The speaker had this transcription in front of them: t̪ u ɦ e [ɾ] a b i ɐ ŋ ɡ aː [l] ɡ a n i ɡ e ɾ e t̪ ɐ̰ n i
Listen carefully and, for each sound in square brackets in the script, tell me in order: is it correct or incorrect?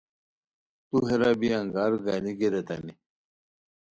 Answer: correct, incorrect: ɾ

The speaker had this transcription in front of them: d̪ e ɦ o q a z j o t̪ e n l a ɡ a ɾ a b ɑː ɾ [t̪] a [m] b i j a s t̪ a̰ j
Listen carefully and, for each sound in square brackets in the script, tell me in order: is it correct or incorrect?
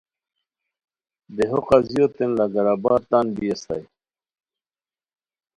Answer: correct, incorrect: n

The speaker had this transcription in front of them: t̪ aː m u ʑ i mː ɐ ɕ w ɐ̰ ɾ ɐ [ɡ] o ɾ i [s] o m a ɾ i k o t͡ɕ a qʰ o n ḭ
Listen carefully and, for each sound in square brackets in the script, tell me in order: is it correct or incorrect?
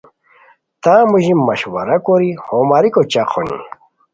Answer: incorrect: k, incorrect: h

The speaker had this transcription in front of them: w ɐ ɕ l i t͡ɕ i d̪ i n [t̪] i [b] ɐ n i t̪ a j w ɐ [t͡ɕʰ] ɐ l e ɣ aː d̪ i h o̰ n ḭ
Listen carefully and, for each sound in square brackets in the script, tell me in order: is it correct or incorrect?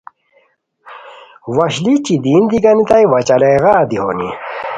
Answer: incorrect: d̪, incorrect: ɡ, incorrect: t͡ɕ

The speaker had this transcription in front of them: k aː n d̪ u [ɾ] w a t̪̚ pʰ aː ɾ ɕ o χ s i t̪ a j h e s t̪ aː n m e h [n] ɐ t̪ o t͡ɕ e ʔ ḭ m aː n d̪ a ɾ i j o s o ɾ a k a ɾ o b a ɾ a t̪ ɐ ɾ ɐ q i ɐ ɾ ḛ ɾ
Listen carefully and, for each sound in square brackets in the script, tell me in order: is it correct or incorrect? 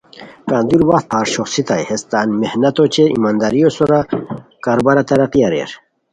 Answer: correct, correct

